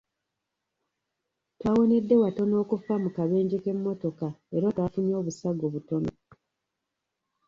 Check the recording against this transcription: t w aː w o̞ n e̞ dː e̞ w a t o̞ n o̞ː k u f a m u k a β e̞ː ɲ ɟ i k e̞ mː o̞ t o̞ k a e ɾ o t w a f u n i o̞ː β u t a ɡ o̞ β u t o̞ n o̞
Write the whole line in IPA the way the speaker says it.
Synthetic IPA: t w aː w o̞ n e̞ dː e̞ w a t o̞ n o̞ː k u f a m u k a β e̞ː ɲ ɟ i k e̞ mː o̞ t o̞ k a e ɾ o t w a f u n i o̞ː β u s a ɡ o̞ β u t o̞ n o̞